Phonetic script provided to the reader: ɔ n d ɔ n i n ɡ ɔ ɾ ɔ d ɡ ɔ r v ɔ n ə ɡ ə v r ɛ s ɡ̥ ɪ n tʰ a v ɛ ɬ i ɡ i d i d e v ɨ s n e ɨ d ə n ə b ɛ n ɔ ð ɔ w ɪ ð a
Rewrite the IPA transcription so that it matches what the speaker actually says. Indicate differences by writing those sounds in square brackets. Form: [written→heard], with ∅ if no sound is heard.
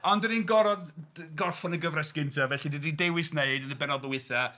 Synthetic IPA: ɔ n d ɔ n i n ɡ ɔ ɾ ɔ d ɡ ɔ r [v→f] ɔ n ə ɡ ə v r ɛ s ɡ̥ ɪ n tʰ a v ɛ ɬ i [ɡ→d] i d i d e [v→w] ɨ s n e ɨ d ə n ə b ɛ n ɔ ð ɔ w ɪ [ð→θ] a